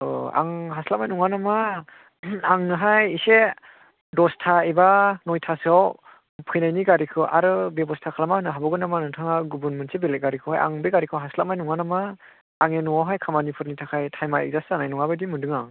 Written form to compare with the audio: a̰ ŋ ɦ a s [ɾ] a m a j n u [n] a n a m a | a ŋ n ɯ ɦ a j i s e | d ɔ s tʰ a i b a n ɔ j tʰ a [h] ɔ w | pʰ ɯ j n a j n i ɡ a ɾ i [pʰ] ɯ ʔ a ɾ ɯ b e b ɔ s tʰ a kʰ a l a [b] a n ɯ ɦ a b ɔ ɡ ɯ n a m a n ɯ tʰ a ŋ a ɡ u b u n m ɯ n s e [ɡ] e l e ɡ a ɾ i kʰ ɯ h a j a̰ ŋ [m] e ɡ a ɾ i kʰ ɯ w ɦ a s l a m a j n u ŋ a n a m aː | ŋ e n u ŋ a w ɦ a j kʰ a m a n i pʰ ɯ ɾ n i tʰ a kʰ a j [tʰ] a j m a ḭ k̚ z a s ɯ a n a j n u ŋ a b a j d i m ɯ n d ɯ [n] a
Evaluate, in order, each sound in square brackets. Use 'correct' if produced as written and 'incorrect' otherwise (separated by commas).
incorrect, incorrect, incorrect, incorrect, incorrect, incorrect, incorrect, correct, incorrect